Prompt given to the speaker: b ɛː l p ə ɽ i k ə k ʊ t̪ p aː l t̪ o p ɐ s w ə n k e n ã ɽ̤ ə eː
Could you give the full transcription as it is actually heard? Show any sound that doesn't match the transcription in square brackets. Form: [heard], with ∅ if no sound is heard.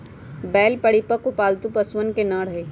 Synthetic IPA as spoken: b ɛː l p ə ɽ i [p] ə k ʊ [∅] p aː l t̪ [u] p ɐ s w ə n k e n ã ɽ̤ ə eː

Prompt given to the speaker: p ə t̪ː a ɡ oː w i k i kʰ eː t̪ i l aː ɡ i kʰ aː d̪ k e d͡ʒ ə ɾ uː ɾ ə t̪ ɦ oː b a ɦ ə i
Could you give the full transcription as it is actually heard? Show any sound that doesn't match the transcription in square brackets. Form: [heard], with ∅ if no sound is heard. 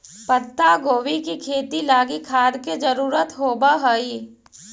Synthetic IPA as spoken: p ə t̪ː a ɡ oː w i k i kʰ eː t̪ i l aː ɡ i kʰ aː d̪ k e d͡ʒ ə ɾ uː ɾ ə t̪ ɦ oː b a ɦ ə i

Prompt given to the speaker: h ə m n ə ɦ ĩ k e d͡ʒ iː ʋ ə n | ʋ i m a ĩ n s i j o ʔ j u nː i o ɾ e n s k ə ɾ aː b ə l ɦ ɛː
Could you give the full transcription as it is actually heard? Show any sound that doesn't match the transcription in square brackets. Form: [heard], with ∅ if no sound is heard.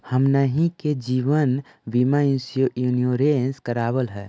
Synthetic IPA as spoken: h ə m n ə ɦ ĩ k e d͡ʒ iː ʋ ə n | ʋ i m a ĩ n s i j o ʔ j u [n] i o ɾ e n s k ə ɾ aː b ə l ɦ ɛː

